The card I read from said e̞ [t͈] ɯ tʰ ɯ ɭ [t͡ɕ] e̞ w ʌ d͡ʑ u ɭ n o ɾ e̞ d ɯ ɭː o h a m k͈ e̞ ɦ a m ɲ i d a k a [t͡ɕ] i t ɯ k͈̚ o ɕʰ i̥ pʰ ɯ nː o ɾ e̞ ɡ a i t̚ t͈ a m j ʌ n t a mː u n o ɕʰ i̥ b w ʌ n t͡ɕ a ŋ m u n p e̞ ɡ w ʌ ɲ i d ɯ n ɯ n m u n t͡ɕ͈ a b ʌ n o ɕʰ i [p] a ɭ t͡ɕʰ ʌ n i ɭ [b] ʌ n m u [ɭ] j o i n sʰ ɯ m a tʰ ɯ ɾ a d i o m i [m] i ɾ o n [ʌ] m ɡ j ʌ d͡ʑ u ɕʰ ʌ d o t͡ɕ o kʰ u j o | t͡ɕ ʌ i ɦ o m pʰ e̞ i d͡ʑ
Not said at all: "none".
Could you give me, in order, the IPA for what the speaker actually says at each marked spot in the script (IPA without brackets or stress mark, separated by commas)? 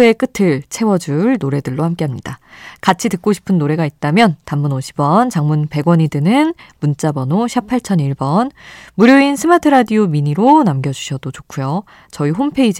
k͈, t͡ɕʰ, t͡ɕʰ, pʰ, b, ɾ, ɲ, a